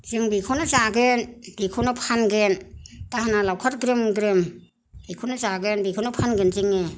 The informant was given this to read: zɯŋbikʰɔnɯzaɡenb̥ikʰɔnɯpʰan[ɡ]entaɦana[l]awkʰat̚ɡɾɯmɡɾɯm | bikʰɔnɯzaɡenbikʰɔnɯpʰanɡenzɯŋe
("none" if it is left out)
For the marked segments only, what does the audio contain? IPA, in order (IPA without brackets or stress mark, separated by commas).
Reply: ɡ, l